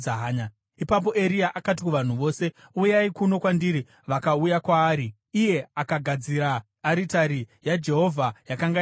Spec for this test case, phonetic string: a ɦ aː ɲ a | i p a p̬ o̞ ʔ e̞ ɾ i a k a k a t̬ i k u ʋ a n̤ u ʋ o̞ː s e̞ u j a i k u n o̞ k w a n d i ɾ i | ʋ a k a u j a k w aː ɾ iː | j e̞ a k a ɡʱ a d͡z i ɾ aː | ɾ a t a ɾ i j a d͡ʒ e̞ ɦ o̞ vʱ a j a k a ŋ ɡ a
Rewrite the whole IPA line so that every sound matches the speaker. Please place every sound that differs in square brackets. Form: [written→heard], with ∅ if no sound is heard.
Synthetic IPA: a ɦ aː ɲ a | i p a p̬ o̞ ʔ e̞ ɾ i a [k→ʔ] a k a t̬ i k u ʋ a n̤ u ʋ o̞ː s e̞ u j a i k u n o̞ k w a n d i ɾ i | ʋ a k a u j a k w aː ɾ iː | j e̞ a k a ɡʱ a d͡z i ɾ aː | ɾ [a→i] t a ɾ i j a d͡ʒ e̞ ɦ o̞ vʱ a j a k a ŋ ɡ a